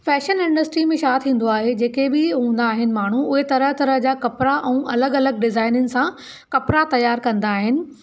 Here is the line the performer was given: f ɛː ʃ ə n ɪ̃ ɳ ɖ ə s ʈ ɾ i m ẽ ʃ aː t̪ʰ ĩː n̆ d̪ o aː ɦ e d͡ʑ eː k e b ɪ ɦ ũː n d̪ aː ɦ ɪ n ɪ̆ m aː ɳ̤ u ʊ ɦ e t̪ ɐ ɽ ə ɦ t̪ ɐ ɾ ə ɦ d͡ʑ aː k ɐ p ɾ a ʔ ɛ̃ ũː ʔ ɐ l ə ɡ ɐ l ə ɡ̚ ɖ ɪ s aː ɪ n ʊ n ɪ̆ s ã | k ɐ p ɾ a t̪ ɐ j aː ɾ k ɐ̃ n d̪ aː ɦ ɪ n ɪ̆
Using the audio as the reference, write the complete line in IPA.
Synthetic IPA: f ɛː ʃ ə n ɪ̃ ɳ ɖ ə s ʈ ɾ i m ẽ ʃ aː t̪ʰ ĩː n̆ d̪ o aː ɦ e d͡ʑ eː k e b ɪ ɦ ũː n d̪ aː ɦ ɪ n ɪ̆ m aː ɳ̤ u ʊ ɦ e t̪ ɐ ɾ ə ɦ t̪ ɐ ɾ ə ɦ d͡ʑ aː k ɐ p ɾ a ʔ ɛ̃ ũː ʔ ɐ l ə ɡ ɐ l ə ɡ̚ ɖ ɪ z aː ɪ n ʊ n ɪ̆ s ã | k ɐ p ɾ a t̪ ɐ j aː ɾ k ɐ̃ n d̪ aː ɦ ɪ n ɪ̆